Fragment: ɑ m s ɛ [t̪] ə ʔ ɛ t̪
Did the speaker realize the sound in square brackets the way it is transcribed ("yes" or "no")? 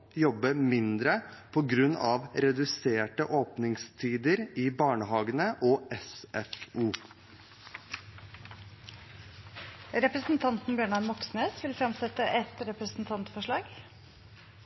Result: yes